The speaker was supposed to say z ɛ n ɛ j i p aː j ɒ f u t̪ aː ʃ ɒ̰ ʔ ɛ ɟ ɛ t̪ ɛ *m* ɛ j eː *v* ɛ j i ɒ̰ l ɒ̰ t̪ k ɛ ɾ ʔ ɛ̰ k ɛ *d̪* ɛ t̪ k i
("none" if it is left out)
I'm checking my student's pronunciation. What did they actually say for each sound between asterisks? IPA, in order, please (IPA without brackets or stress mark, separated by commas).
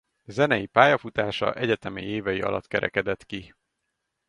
m, v, d̪